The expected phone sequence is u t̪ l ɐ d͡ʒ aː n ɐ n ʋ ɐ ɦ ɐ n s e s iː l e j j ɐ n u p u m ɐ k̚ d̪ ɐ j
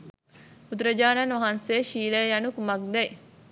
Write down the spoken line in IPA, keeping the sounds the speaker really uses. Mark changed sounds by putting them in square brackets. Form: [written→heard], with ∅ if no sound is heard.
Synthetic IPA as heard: u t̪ [l→ɾ] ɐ d͡ʒ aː n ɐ n ʋ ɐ ɦ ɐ n s e [s→ʃ] iː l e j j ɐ n u [p→k] u m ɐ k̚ d̪ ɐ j